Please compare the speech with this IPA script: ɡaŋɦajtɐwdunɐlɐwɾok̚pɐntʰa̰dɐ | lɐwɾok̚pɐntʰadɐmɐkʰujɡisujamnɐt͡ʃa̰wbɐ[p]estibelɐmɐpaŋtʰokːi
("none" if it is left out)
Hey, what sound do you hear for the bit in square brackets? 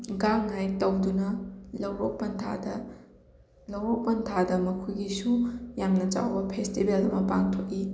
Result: pʰ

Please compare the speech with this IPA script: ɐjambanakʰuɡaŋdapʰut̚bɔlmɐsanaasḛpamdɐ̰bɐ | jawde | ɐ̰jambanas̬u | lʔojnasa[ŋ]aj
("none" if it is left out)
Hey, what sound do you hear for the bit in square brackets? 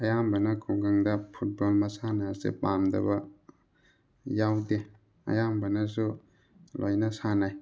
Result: n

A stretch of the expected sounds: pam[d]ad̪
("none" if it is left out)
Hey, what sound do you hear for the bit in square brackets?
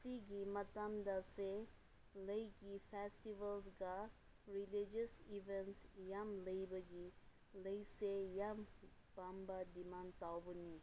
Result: b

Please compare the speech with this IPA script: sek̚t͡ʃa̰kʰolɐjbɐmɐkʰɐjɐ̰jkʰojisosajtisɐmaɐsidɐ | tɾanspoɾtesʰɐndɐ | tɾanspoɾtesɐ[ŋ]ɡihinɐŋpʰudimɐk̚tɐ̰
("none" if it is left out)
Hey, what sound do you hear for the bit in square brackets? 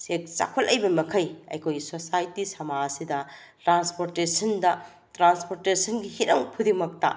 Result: n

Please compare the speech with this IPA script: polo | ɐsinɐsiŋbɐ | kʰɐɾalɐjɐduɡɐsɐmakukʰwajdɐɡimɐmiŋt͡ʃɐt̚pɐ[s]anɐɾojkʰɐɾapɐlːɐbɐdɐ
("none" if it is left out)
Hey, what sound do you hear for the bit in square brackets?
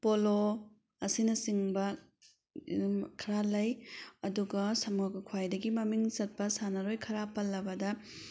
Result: s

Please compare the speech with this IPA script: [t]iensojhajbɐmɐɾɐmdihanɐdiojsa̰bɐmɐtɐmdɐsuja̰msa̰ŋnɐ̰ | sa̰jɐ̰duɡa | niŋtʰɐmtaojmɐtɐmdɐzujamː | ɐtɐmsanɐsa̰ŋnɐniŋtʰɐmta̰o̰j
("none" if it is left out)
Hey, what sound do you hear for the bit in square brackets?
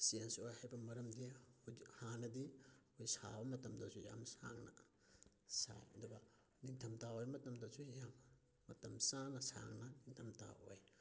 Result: s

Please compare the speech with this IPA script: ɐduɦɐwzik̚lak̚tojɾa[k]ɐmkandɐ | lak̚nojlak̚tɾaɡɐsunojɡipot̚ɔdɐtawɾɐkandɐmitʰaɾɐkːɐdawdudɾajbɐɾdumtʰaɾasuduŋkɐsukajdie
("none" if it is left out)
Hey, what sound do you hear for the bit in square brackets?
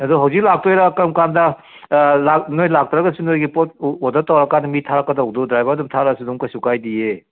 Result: k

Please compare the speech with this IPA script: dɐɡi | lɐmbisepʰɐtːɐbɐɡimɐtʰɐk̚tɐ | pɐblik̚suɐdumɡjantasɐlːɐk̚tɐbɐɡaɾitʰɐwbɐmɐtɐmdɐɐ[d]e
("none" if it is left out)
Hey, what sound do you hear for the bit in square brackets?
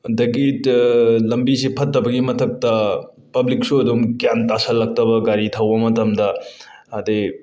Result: d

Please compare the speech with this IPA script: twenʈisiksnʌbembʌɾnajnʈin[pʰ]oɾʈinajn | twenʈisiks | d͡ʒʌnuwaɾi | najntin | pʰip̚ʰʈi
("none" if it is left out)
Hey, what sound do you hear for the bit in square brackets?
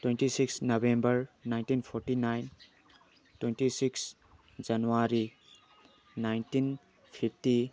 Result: pʰ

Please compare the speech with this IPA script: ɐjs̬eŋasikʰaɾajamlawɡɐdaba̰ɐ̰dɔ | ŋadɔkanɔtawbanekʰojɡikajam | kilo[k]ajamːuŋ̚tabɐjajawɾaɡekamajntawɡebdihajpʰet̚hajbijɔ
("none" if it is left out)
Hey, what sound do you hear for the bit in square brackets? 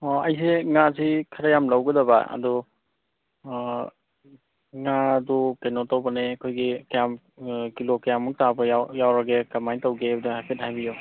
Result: k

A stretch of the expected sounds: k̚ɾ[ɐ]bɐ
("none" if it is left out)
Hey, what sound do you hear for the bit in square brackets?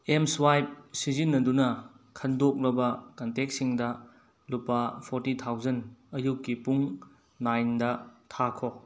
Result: ɐ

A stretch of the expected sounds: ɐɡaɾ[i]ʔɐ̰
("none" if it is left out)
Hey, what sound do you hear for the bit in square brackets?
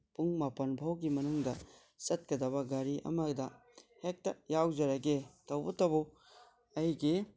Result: i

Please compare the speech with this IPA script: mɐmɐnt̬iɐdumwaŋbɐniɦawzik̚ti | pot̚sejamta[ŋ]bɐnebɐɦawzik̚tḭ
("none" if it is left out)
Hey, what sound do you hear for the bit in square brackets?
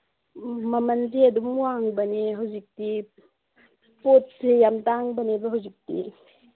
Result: ŋ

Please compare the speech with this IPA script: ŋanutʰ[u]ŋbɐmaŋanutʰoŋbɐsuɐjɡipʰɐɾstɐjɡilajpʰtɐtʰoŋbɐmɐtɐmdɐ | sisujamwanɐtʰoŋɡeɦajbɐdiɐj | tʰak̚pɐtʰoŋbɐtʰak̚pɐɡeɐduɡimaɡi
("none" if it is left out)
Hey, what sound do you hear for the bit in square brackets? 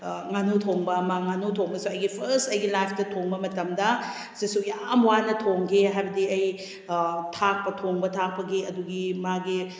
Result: o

